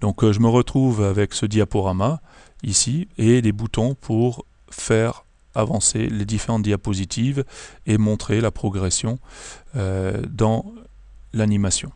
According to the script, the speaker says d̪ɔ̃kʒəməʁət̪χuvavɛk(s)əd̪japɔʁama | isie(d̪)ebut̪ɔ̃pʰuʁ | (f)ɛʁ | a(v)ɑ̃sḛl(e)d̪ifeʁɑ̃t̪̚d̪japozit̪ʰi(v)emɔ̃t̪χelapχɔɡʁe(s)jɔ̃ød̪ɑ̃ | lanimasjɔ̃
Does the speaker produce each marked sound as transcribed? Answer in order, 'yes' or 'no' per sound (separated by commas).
yes, yes, yes, yes, yes, yes, yes